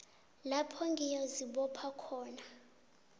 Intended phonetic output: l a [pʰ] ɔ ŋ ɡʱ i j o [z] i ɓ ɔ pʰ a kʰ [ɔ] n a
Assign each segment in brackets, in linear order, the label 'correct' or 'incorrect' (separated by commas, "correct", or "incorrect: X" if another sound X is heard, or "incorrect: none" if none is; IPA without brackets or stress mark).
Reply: correct, correct, incorrect: ɔː